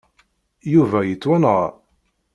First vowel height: high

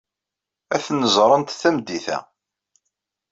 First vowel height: low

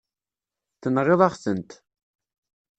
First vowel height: mid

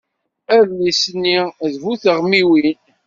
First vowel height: low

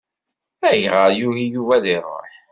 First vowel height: low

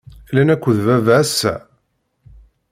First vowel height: low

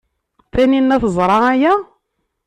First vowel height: low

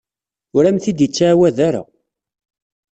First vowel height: high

